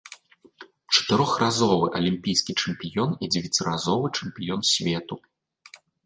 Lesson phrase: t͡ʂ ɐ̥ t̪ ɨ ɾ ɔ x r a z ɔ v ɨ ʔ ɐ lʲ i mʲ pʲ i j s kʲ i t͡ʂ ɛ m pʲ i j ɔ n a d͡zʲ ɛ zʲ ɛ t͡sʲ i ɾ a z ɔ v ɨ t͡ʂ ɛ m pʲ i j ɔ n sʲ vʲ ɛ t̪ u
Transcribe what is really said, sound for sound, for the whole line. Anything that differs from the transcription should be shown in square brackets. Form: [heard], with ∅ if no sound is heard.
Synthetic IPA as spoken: t͡ʂ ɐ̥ t̪ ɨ ɾ ɔ x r a z ɔ v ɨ ʔ ɐ lʲ i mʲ pʲ i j s kʲ i t͡ʂ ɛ m pʲ i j ɔ n [i] d͡zʲ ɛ [vʲ] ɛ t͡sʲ i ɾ a z ɔ v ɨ t͡ʂ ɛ m pʲ i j ɔ n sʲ vʲ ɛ t̪ u